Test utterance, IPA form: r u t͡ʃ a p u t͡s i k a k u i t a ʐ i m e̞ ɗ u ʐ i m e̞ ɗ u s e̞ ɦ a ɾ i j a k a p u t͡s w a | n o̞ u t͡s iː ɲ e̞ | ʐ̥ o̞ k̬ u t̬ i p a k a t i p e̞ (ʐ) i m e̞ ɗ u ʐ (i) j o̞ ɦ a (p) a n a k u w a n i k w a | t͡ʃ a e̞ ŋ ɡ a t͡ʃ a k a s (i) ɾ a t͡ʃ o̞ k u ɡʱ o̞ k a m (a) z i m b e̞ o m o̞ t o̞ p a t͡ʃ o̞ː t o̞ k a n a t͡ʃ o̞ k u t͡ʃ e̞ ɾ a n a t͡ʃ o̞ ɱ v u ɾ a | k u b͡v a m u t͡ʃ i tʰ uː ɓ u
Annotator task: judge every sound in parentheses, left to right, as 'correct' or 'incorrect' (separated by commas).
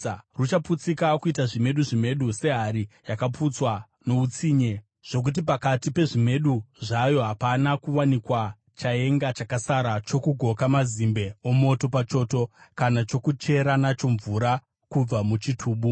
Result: correct, incorrect, correct, incorrect, correct